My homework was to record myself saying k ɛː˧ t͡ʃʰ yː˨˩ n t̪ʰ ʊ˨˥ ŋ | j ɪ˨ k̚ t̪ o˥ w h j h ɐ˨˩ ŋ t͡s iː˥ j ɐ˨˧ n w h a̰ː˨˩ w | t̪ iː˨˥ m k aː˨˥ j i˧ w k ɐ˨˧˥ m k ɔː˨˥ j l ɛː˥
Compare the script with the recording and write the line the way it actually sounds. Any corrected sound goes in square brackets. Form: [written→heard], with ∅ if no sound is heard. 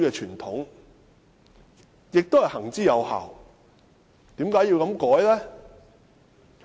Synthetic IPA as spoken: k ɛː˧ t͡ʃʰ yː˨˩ n t̪ʰ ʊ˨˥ ŋ | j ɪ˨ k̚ t̪ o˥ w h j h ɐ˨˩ ŋ t͡s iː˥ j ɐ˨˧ [n→∅] w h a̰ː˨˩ w | t̪ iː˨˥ m k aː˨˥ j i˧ w k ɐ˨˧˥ m k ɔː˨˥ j l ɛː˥